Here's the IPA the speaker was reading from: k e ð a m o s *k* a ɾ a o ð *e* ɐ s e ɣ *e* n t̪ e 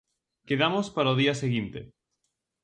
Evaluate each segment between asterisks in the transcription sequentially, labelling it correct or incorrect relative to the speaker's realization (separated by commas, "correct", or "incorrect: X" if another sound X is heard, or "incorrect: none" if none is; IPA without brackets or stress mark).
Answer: incorrect: p, incorrect: i, incorrect: i